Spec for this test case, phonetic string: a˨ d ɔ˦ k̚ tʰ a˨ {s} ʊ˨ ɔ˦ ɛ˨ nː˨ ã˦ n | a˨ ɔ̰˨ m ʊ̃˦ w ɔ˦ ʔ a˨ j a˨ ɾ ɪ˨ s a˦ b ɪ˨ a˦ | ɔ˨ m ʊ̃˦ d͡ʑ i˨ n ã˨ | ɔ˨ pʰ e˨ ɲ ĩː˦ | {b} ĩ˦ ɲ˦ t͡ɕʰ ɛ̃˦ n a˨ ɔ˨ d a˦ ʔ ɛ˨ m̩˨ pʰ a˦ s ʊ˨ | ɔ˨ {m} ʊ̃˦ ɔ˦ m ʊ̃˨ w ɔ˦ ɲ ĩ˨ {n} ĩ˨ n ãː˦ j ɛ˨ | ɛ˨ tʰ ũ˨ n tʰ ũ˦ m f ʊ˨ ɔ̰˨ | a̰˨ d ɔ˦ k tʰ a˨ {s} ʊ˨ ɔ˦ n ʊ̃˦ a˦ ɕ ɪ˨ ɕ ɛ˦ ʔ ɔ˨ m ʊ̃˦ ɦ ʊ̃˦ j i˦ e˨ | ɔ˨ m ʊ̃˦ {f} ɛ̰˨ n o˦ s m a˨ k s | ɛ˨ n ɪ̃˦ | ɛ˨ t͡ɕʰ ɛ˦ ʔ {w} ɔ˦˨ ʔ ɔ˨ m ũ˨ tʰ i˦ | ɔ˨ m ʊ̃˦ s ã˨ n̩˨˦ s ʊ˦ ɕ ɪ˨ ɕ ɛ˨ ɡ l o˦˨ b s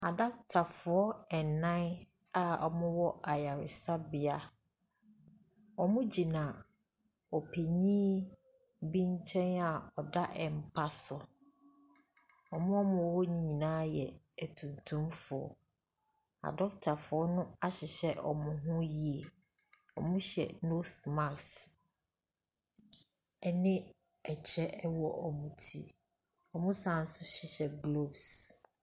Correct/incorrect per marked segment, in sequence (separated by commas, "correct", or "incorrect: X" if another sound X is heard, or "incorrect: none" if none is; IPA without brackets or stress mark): incorrect: f, correct, correct, incorrect: ɲ, incorrect: f, incorrect: ɕ, correct